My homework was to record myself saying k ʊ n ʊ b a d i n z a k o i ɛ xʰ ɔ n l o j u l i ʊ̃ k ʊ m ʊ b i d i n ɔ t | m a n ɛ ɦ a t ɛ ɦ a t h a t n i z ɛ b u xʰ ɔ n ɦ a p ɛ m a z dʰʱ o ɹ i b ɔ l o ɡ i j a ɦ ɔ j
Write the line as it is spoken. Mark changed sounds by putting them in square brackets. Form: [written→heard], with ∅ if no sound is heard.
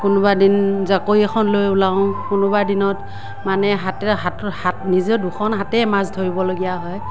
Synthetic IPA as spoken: k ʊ n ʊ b a d i n z a k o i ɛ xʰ ɔ n l o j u l [i→a] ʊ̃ k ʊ [m→n] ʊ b [i→a] d i n ɔ t | m a n ɛ ɦ a t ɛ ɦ a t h a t n i z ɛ [b→d] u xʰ ɔ n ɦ a [p→t] ɛ m a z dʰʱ o ɹ i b ɔ l o ɡ i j a ɦ ɔ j